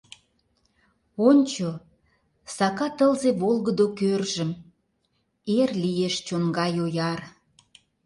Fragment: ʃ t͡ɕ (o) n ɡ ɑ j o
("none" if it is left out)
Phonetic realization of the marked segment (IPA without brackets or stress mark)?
o